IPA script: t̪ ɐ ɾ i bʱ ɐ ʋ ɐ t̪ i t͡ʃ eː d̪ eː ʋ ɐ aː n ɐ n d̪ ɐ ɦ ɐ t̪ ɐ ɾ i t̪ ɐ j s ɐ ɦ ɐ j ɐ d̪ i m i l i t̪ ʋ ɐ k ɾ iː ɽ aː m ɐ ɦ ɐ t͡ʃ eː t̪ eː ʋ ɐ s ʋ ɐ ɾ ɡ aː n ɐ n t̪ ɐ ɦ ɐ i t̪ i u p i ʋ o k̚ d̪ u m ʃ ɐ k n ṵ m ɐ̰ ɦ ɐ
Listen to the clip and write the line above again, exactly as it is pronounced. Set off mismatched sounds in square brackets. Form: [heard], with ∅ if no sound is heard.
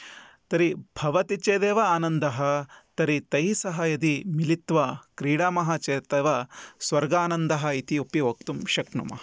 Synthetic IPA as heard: t̪ ɐ ɾ i bʱ ɐ ʋ ɐ t̪ i t͡ʃ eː d̪ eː ʋ ɐ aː n ɐ n d̪ ɐ ɦ ɐ t̪ ɐ ɾ i t̪ ɐ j s ɐ ɦ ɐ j ɐ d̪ i m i l i t̪ ʋ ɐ k ɾ iː ɽ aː m ɐ ɦ ɐ t͡ʃ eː t̪ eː ʋ ɐ s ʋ ɐ ɾ ɡ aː n ɐ n [d̪] ɐ ɦ ɐ i t̪ i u p i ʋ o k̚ [t̪] u m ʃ ɐ k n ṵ m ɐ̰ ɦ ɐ